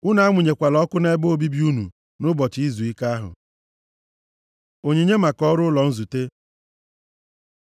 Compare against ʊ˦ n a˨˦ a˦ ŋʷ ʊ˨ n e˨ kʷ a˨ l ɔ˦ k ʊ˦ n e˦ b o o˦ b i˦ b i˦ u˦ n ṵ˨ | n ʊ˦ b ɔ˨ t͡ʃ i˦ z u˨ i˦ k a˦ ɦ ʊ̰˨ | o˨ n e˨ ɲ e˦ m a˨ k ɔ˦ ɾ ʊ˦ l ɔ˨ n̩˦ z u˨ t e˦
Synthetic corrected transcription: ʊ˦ n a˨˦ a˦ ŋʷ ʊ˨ ɲ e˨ kʷ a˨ l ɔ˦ k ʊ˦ n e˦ b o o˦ b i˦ b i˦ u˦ n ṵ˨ | n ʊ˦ b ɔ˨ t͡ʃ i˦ z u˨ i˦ k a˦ ɦ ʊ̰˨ | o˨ ɲ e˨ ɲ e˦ m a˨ k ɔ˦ ɾ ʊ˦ l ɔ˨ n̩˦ z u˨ t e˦